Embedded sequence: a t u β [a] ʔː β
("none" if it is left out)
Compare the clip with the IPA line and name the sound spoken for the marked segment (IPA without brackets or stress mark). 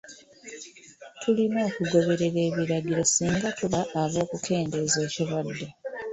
a